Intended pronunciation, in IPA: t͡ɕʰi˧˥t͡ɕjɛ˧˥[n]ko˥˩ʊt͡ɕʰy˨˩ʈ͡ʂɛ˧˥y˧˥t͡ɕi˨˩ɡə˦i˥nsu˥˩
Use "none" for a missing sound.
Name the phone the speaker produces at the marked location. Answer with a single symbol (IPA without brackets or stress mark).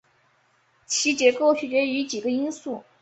none